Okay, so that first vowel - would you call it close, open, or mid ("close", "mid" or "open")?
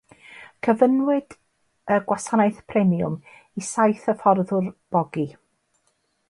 mid